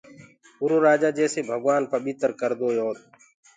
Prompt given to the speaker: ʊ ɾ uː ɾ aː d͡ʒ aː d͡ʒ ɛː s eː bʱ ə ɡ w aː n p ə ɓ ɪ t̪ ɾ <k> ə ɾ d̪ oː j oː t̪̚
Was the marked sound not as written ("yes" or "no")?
no